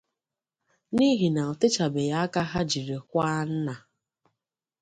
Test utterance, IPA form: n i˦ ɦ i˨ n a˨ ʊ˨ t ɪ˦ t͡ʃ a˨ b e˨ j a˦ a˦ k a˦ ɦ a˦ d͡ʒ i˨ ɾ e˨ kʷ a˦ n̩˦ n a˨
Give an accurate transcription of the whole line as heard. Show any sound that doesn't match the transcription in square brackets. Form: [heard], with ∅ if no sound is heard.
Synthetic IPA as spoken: n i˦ ɦ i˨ n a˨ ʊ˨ t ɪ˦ t͡ʃ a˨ b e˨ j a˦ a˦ k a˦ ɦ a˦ d͡ʒ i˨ ɾ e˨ kʷ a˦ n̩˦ n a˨